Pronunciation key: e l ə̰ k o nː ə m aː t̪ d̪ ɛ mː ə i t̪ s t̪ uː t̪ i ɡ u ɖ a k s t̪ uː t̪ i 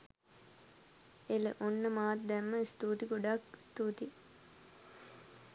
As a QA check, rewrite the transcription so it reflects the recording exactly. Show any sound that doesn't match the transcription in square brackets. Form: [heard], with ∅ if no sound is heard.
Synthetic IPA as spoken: e l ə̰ [ʔ] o nː ə m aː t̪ d̪ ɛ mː ə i [∅] s t̪ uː t̪ i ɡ [o] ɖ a k s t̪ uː t̪ i